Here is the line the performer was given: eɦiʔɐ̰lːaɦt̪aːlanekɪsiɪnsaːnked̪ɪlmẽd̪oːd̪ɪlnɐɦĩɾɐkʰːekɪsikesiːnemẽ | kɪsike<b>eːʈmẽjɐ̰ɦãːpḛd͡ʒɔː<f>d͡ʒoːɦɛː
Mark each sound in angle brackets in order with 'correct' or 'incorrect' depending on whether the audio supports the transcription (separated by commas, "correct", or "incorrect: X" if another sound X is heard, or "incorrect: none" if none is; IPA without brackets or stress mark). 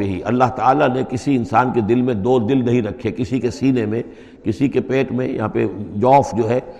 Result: incorrect: p, correct